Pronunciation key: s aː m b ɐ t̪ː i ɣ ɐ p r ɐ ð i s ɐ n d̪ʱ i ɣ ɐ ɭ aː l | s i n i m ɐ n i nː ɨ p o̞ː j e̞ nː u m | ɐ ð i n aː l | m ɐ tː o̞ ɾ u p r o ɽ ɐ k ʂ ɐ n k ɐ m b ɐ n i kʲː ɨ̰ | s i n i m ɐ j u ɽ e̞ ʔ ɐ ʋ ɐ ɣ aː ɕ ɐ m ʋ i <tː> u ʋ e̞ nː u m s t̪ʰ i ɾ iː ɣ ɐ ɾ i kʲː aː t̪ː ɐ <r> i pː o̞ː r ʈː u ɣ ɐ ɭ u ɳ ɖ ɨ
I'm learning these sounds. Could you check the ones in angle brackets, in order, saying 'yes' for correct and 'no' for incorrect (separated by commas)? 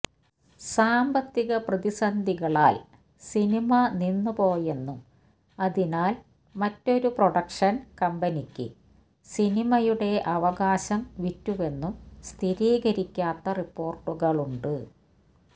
yes, yes